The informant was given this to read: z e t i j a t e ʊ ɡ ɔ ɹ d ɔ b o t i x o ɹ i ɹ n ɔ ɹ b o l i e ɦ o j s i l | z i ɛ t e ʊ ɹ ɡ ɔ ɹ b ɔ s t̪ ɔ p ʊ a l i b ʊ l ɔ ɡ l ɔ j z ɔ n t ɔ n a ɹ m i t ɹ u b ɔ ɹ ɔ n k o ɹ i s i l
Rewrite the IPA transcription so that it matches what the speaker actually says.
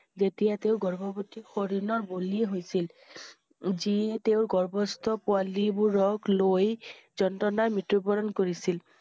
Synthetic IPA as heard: z e t i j a t e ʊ ɡ ɔ ɹ b ɔ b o t i x o ɹ i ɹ n ɔ ɹ b o l i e ɦ o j s i l | z i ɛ t e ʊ ɹ ɡ ɔ ɹ b ɔ s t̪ ɔ p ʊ a l i b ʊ ɹ ɔ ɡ l o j z ɔ n t ɔ n a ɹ m i t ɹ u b ɔ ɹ ɔ n k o ɹ i s i l